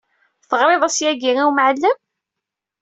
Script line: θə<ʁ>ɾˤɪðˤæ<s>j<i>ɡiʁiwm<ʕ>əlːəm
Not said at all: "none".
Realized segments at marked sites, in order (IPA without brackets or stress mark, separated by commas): ʁ, s, æ, ʕ